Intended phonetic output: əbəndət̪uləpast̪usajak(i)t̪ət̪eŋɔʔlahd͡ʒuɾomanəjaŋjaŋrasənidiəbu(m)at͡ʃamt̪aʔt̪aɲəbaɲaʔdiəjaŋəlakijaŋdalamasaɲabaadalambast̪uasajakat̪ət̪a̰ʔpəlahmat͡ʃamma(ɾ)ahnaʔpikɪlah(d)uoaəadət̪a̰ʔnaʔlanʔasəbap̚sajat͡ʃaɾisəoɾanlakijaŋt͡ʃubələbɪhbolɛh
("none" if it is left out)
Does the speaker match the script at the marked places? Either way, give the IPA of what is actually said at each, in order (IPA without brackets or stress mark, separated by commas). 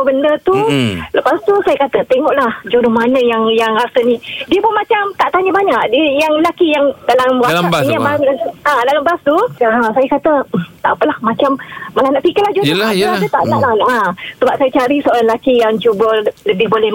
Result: a, m, l, d͡ʒ